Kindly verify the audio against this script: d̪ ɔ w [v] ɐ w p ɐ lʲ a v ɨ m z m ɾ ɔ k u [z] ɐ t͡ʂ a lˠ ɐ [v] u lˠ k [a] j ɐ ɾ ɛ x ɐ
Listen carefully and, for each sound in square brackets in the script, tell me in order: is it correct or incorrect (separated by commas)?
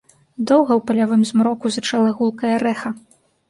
incorrect, correct, incorrect, incorrect